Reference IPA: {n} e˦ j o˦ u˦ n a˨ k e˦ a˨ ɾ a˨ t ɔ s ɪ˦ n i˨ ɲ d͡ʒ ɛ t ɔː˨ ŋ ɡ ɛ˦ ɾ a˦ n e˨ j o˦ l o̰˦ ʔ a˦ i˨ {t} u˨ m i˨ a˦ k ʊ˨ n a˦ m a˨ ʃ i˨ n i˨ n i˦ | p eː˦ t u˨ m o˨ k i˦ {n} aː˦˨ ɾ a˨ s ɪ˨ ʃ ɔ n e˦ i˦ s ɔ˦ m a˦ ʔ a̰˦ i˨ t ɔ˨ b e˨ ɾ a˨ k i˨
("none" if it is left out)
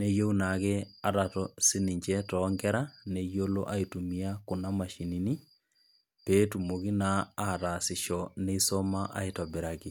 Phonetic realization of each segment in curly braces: n, t, n

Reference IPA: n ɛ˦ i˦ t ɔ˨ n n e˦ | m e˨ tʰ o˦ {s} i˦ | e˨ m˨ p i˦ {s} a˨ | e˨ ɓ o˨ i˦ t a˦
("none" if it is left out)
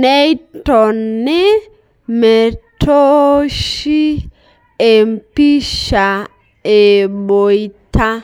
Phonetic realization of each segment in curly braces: ʃ, ʃ

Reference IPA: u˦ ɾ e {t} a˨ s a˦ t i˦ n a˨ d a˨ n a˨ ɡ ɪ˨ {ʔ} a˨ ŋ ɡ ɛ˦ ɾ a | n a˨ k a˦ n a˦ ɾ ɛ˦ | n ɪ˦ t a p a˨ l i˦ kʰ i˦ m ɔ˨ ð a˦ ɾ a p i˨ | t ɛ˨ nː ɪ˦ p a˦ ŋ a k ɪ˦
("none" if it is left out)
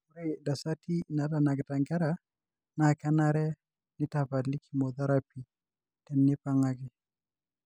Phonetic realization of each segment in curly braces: d, t

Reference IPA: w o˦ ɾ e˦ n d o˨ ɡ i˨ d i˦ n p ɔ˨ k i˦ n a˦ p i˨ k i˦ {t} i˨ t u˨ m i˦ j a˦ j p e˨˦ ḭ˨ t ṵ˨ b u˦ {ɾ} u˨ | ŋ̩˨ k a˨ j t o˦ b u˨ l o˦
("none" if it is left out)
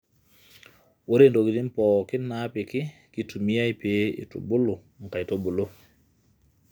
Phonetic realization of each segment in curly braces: k, l

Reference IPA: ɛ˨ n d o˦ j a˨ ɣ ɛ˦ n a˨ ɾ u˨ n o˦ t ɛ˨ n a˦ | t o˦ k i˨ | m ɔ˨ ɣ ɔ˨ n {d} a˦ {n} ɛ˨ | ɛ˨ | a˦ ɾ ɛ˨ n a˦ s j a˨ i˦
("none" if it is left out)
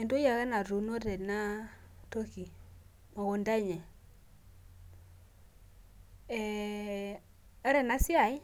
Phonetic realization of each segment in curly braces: d, ɲ

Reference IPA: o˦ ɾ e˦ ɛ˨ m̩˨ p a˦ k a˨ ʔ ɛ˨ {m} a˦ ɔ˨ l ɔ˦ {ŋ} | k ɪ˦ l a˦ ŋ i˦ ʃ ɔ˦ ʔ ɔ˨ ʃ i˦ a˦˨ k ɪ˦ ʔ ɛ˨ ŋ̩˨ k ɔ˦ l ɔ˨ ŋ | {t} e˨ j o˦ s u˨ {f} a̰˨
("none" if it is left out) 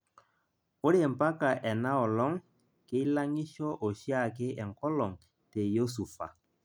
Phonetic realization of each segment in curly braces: n, ŋ, t, f

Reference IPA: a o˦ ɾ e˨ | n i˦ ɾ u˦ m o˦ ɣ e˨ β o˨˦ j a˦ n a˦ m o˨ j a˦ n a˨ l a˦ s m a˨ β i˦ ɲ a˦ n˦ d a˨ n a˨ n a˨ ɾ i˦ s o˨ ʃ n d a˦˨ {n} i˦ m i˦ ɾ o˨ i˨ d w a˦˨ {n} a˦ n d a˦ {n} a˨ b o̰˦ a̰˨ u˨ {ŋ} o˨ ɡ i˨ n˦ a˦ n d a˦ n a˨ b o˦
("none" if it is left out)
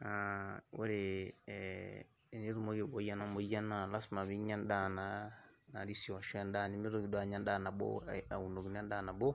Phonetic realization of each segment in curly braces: n, ɲ, n, n

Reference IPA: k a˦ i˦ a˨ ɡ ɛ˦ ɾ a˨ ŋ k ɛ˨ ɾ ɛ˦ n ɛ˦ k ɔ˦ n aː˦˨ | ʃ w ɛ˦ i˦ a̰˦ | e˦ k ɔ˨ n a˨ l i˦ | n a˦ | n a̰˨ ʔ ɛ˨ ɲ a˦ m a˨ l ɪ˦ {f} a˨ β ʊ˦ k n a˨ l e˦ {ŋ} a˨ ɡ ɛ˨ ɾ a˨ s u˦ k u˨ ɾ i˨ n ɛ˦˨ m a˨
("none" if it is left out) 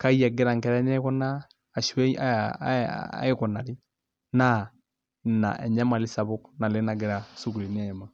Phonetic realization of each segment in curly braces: s, n

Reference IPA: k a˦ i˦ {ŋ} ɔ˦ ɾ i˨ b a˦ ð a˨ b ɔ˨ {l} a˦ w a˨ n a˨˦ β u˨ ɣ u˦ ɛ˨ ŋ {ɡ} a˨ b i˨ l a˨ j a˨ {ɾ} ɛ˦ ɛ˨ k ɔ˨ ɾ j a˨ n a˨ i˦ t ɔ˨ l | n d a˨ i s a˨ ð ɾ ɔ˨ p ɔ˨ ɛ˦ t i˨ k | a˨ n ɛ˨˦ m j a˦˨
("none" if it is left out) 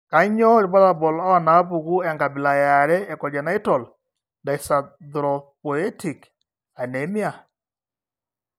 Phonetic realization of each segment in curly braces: ɲ, l, ɡ, ɾ

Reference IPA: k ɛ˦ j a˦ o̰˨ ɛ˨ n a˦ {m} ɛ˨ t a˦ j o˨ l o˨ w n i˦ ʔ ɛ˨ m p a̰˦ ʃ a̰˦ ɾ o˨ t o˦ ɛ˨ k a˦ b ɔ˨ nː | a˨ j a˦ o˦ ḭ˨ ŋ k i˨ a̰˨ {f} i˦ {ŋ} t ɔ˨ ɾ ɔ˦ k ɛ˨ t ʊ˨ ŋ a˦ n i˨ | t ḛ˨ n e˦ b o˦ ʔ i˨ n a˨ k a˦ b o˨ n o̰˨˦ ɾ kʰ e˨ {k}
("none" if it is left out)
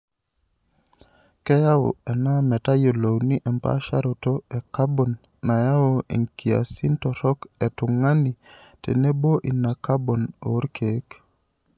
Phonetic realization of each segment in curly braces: m, s, n, k

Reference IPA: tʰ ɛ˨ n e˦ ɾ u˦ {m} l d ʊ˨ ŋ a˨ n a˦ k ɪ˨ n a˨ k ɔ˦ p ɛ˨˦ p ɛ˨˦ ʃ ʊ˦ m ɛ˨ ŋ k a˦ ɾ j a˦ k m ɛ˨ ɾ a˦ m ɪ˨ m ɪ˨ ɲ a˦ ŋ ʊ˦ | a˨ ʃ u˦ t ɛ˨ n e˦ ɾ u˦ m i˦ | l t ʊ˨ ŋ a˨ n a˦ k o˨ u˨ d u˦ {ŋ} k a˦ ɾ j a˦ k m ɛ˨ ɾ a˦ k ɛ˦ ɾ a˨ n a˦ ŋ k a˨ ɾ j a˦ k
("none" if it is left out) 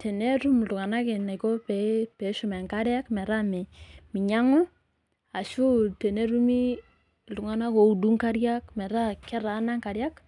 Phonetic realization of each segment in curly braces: m, ŋ

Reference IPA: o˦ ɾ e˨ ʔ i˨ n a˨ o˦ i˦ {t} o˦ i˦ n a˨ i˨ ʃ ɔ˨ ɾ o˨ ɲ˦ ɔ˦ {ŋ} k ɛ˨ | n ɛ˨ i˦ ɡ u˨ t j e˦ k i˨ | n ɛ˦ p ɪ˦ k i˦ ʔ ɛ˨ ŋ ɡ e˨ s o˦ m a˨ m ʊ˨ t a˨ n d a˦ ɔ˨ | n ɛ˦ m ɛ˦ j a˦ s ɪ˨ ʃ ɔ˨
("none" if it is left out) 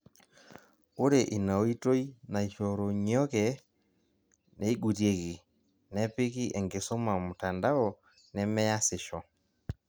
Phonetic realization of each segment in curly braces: t, none

